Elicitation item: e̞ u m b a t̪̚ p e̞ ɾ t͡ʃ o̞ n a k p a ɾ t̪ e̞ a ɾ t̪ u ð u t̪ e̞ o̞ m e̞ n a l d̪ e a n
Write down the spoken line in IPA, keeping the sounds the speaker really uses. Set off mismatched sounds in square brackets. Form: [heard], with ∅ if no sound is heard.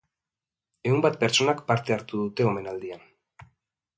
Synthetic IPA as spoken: e̞ u m b a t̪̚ p e̞ ɾ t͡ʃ o̞ n a k p a ɾ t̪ e̞ a ɾ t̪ u ð u t̪ e̞ o̞ m e̞ n a l d̪ [i] a n

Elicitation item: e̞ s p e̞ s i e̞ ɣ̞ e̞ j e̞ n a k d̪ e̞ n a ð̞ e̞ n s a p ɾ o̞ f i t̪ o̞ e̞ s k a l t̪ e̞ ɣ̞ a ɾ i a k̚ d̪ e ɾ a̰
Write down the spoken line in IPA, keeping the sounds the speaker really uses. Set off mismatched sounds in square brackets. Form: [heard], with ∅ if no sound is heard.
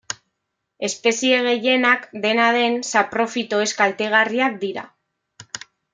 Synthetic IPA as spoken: e̞ s p e̞ s i e̞ ɣ̞ e̞ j e̞ n a k d̪ e̞ n a ð̞ e̞ n s a p ɾ o̞ f i t̪ o̞ e̞ s k a l t̪ e̞ ɣ̞ a [r] i a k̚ d̪ [i] ɾ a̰

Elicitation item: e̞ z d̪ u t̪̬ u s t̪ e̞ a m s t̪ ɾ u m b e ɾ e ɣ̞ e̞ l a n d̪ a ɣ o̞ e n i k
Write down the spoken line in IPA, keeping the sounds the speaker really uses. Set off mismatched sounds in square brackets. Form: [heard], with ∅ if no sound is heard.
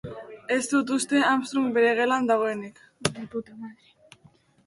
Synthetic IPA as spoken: e̞ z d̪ u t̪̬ u s t̪ e̞ a m s t̪ ɾ u m b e ɾ e ɣ̞ e̞ l a n d̪ a ɣ o̞ e n i k

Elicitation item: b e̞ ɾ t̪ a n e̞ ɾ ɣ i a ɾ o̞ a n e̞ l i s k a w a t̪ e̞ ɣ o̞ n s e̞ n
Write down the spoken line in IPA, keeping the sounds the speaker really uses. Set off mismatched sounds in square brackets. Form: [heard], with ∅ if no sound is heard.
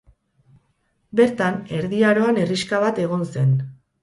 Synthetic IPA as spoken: b e̞ ɾ t̪ a n e̞ ɾ [ð] i a ɾ o̞ a n e̞ [r] i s k a [β] a t̪ e̞ ɣ o̞ n s e̞ n

